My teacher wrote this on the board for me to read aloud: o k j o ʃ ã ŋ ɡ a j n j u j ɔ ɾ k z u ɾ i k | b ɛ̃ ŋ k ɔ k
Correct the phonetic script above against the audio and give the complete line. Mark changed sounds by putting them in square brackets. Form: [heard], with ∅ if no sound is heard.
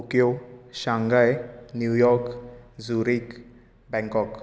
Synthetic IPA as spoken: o k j o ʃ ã ŋ ɡ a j n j u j ɔ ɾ k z u ɾ i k | b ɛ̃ ŋ k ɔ k